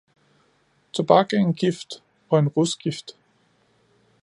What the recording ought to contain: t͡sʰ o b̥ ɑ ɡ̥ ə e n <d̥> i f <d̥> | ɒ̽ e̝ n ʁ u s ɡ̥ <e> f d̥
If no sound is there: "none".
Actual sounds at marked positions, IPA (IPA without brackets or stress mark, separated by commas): ɡ̥, d̥, i